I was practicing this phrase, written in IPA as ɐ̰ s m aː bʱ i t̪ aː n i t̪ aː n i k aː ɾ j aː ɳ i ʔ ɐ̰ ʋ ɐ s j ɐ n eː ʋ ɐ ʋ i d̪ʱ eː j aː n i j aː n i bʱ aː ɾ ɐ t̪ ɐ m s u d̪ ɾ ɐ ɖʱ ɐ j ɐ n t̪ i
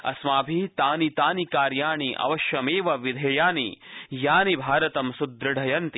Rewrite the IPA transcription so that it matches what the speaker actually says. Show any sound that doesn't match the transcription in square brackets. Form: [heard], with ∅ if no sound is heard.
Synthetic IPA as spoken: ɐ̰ s m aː bʱ i t̪ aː n i t̪ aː n i k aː ɾ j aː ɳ i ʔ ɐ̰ ʋ ɐ [ʃ] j ɐ [m] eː ʋ ɐ ʋ i d̪ʱ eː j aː n i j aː n i bʱ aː ɾ ɐ t̪ ɐ m s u d̪ ɾ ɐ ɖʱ ɐ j ɐ n t̪ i

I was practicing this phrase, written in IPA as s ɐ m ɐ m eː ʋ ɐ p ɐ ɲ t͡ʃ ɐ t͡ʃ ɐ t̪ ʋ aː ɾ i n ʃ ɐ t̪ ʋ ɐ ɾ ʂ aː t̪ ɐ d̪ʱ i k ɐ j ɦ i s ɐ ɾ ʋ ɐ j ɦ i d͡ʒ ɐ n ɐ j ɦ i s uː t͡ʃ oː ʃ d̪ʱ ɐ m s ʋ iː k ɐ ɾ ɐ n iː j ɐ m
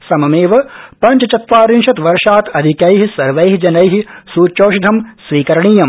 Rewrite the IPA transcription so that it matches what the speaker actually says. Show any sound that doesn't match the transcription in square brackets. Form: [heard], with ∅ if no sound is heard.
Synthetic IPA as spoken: s ɐ m ɐ m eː ʋ ɐ p ɐ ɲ t͡ʃ ɐ t͡ʃ ɐ t̪ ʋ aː ɾ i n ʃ ɐ t̪ ʋ ɐ ɾ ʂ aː t̪ ɐ d̪ʱ i k ɐ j ɦ i s ɐ ɾ ʋ ɐ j ɦ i d͡ʒ ɐ n ɐ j ɦ i s uː t͡ʃ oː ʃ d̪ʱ ɐ m s ʋ iː k ɐ ɾ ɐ [ɳ] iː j ɐ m

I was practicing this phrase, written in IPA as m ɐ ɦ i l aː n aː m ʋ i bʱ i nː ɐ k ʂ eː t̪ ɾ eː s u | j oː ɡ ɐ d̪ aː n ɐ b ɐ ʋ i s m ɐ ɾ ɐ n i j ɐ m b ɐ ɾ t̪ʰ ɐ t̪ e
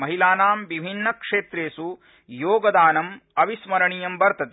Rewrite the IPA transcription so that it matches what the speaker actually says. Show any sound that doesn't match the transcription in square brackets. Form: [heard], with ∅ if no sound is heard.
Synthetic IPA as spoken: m ɐ ɦ i l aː n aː m ʋ i bʱ i nː ɐ k ʂ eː t̪ ɾ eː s u | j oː ɡ ɐ d̪ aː n ɐ [m] ɐ ʋ i s m ɐ ɾ ɐ [ɳ] i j ɐ m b ɐ ɾ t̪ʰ ɐ t̪ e

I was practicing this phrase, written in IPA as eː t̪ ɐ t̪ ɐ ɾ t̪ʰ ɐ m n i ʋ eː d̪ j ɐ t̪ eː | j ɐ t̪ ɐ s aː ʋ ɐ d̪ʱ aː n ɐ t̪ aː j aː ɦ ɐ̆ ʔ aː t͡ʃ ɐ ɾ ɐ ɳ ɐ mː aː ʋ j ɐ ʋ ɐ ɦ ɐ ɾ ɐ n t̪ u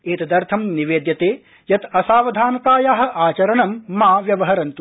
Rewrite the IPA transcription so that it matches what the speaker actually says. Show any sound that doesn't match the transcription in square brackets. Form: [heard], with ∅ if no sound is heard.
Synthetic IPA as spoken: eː t̪ ɐ [d̪] ɐ ɾ t̪ʰ ɐ m n i ʋ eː d̪ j ɐ t̪ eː | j ɐ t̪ ɐ s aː ʋ ɐ d̪ʱ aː n ɐ t̪ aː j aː ɦ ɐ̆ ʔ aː t͡ʃ ɐ ɾ ɐ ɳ ɐ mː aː ʋ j ɐ ʋ ɐ ɦ ɐ ɾ ɐ n t̪ u

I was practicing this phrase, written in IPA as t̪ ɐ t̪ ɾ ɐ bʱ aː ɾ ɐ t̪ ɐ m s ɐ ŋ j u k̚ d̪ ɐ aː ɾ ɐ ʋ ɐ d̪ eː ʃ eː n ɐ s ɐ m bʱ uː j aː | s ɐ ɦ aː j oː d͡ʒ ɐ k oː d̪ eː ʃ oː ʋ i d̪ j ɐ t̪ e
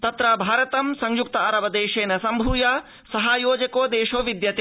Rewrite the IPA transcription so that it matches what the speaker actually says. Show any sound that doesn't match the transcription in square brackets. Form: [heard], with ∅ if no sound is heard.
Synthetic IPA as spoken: t̪ ɐ t̪ ɾ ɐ bʱ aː ɾ ɐ t̪ ɐ m s ɐ ŋ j u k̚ [t̪] ɐ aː ɾ ɐ ʋ ɐ d̪ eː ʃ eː n ɐ s ɐ m bʱ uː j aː | s ɐ ɦ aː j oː d͡ʒ ɐ k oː d̪ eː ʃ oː ʋ i d̪ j ɐ t̪ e

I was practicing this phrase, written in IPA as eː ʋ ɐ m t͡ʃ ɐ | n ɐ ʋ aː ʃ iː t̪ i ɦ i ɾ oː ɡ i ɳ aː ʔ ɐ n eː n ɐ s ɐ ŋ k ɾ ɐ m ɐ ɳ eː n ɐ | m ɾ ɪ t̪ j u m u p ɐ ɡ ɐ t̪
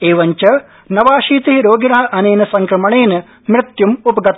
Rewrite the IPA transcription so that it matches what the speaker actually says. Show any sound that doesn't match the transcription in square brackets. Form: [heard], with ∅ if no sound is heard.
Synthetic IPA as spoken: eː ʋ ɐ [ɲ] t͡ʃ ɐ | n ɐ ʋ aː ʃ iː t̪ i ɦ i ɾ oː ɡ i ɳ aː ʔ ɐ n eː n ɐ s ɐ ŋ k ɾ ɐ m ɐ ɳ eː n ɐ | m ɾ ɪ t̪ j u m u p ɐ ɡ ɐ t̪

